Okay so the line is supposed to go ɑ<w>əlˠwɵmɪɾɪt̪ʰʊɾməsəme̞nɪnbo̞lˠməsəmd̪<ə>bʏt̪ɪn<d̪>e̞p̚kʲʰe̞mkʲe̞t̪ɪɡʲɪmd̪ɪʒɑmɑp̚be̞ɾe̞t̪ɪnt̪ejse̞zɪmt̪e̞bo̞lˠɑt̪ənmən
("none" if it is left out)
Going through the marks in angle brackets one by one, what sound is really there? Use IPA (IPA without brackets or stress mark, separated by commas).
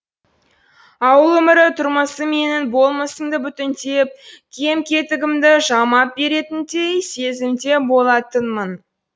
w, ə, t̪